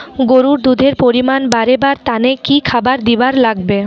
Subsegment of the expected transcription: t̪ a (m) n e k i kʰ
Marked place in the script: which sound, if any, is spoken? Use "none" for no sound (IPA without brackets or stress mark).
none